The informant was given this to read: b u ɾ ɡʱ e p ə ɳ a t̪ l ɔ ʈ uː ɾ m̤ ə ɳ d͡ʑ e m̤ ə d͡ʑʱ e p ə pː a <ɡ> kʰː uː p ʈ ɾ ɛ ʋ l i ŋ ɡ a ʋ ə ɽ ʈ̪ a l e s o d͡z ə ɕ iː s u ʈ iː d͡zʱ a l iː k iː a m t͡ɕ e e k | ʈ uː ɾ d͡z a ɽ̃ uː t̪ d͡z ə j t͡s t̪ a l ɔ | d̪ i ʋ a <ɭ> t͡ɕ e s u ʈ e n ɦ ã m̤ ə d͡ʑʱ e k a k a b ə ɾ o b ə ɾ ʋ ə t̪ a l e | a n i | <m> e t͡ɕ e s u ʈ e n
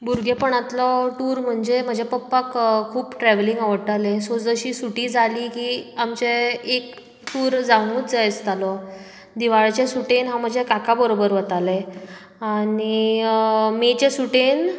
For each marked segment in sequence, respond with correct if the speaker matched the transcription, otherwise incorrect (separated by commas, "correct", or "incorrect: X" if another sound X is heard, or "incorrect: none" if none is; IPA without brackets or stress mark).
incorrect: k, correct, correct